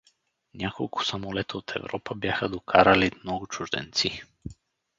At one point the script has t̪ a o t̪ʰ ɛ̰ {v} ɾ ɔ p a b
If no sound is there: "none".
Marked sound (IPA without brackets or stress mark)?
v